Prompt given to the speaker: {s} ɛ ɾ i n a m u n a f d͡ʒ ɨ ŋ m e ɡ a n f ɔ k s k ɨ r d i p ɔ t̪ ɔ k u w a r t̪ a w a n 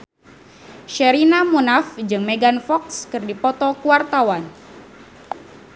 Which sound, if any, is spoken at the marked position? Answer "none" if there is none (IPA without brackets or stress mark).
ʃ